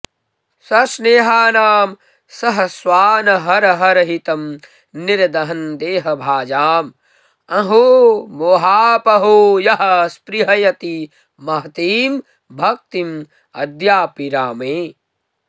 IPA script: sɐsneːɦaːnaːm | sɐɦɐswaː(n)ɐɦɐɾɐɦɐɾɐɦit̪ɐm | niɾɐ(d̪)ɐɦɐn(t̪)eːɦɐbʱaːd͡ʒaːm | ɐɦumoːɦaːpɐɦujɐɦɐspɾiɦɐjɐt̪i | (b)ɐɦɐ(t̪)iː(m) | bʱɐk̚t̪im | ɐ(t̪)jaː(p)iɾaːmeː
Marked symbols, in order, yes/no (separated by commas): yes, yes, no, no, yes, yes, no, yes